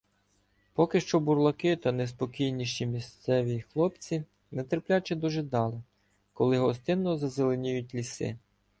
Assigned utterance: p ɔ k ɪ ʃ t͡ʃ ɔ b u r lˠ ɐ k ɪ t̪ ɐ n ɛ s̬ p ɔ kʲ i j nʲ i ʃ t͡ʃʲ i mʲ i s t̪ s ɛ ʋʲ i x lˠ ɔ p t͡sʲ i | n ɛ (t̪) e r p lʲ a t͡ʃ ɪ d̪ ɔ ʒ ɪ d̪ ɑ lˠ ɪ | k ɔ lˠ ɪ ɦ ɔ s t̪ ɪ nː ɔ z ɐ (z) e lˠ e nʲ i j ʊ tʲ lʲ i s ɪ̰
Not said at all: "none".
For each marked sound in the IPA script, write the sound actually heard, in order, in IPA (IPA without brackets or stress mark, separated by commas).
t̪, z